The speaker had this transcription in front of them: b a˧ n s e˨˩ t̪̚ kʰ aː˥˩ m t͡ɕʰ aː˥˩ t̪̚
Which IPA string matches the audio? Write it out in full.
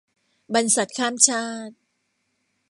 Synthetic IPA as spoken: b a˧ n s a˨˩ t̪̚ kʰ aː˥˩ m t͡ɕʰ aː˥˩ t̪̚